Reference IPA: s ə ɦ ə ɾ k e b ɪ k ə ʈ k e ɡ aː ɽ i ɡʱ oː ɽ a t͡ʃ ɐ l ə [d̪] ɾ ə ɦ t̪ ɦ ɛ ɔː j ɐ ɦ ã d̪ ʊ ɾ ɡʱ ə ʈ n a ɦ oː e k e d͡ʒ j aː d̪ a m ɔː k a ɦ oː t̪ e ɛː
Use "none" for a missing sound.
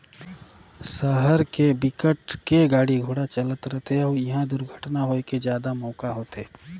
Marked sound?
t̪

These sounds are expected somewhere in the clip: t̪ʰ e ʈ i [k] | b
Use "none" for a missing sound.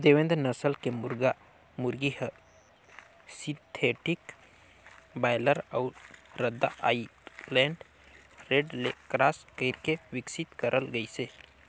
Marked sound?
k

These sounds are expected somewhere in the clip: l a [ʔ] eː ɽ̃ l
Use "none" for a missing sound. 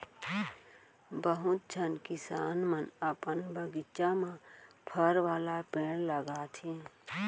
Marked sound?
p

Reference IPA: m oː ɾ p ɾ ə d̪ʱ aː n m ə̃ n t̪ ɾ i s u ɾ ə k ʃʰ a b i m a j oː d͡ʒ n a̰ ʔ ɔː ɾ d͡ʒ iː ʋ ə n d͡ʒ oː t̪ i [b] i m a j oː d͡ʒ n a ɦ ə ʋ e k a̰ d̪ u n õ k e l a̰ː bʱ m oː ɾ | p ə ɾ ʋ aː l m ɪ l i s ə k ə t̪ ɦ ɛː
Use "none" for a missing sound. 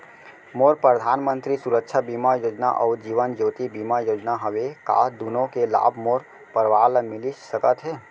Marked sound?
b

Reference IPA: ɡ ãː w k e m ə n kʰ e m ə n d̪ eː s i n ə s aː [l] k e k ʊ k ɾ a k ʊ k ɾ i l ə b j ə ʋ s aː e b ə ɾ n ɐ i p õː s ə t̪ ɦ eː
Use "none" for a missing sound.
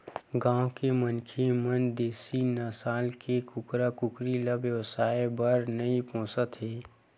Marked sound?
l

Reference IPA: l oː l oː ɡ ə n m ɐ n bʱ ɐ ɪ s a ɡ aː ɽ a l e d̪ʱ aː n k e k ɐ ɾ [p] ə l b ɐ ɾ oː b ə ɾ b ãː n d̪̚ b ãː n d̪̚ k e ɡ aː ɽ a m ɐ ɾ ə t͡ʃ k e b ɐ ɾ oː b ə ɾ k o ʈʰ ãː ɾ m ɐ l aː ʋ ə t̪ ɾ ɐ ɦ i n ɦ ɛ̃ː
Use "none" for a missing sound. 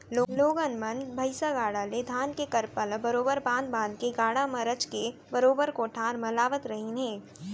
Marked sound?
p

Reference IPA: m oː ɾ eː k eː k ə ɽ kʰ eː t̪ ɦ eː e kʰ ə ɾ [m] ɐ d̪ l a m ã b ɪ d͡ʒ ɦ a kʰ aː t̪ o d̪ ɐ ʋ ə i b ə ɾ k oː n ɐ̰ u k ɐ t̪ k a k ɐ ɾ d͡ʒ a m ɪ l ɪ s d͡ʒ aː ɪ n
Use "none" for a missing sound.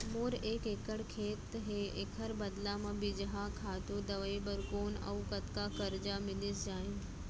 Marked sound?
b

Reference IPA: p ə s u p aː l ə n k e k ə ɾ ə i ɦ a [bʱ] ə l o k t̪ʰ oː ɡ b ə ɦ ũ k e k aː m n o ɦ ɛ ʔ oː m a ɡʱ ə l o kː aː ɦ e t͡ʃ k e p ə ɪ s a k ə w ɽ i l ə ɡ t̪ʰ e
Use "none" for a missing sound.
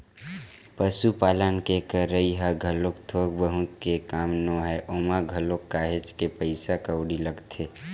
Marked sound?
ɡʱ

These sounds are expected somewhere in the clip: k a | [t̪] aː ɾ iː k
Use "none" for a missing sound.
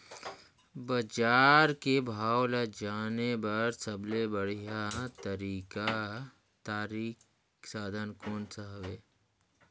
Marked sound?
t̪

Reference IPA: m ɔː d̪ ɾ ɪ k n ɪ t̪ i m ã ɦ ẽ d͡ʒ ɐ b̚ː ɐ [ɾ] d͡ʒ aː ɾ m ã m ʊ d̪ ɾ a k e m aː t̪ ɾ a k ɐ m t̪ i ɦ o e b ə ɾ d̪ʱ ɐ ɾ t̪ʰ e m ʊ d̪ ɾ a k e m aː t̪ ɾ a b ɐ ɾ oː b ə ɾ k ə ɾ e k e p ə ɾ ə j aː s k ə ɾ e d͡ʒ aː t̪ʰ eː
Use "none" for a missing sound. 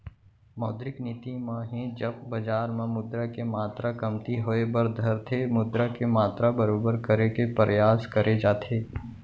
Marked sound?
none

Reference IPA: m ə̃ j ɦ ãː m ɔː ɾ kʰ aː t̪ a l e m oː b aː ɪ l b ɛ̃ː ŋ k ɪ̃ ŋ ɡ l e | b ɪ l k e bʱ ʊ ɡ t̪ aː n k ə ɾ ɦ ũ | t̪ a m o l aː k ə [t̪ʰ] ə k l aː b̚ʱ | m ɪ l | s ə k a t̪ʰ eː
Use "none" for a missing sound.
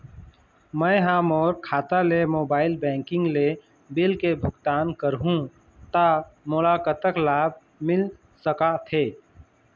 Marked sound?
t̪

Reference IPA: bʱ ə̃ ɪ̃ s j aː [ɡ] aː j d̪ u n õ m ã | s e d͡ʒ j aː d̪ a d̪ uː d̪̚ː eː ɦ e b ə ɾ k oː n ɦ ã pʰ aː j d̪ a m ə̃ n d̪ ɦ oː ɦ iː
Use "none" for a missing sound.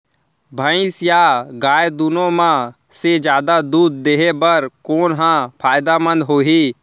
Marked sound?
ɡ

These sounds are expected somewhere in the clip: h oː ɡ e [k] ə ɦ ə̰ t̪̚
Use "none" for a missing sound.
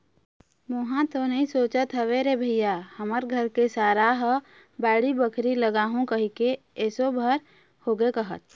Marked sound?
k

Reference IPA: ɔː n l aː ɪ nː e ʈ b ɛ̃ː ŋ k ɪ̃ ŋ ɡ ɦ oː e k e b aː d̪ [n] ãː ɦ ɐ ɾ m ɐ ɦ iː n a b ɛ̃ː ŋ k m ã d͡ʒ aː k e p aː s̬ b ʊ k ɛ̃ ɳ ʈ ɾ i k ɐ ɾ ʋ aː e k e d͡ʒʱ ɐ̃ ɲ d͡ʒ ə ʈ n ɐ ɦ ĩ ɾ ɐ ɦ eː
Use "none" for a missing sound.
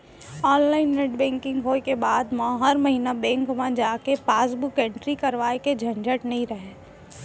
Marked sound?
m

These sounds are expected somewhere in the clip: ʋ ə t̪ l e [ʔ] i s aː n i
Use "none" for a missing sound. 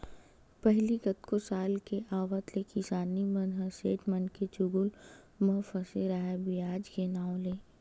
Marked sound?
k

